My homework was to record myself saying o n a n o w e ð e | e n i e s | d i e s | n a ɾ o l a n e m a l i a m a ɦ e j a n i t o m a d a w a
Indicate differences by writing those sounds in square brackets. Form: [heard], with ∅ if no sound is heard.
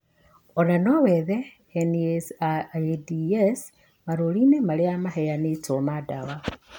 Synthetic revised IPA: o n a n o w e ð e | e n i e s | d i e s | [m] a ɾ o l [i] n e m a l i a m a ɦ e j a n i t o m a d a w a